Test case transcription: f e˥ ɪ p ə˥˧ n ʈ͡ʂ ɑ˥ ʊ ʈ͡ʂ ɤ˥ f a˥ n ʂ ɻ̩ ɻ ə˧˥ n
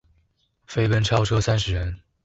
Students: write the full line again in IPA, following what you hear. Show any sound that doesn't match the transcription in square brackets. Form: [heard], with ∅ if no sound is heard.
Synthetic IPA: f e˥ ɪ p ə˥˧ n [ʈ͡ʂʰ] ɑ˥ ʊ [ʈ͡ʂʰ] ɤ˥ [s] a˥ n ʂ ɻ̩ ɻ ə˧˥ n